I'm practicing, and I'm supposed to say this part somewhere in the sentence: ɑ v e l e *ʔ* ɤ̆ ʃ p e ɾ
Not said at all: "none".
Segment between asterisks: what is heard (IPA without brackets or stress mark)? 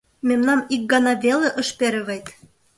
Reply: ʔ